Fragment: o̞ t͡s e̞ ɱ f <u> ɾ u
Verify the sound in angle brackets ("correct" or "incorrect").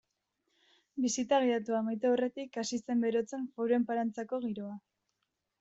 incorrect